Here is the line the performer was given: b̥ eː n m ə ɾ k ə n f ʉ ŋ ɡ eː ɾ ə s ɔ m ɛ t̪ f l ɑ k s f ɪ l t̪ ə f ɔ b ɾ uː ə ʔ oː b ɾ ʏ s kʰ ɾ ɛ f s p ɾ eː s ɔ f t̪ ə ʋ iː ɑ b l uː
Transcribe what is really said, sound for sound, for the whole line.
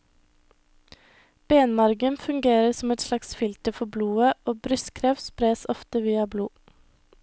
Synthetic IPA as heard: b̥ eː n m ɑ ɾ ɡ ə n f ʉ ŋ ɡ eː ɾ ə s ɔ m ɛ t̪ s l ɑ k s f ɪ l t̪ ə f ɔ b l uː ə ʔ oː b ɾ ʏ s kʰ ɾ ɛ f s p ɾ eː s ɔ f t̪ ə ʋ iː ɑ b l uː